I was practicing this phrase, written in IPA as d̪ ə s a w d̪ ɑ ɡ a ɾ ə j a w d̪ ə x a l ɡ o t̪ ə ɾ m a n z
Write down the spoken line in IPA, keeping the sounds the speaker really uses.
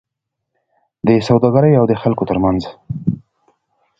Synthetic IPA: d̪ ə s a w d̪ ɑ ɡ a ɾ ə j a w d̪ ə x a l k o t̪ ə ɾ m a n z